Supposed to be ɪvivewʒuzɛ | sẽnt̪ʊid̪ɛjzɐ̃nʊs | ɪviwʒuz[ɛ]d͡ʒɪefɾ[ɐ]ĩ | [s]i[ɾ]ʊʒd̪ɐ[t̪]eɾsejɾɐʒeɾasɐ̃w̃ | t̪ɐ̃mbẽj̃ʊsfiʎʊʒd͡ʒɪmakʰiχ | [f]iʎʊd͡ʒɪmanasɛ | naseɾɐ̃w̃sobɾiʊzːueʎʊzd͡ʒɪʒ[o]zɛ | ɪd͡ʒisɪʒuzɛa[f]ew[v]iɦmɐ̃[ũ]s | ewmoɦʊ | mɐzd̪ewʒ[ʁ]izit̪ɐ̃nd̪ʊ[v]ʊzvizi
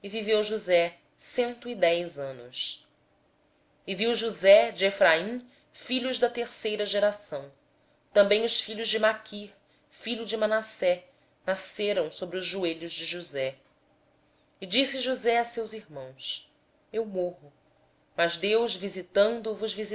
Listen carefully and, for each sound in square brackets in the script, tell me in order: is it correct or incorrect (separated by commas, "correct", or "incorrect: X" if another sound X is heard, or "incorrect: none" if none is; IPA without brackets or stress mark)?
correct, incorrect: a, incorrect: f, incorrect: ʎ, correct, correct, incorrect: u, incorrect: s, incorrect: z, incorrect: w̃, incorrect: v, correct